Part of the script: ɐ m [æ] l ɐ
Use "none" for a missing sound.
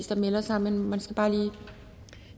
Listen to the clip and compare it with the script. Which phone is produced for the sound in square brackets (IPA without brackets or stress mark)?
e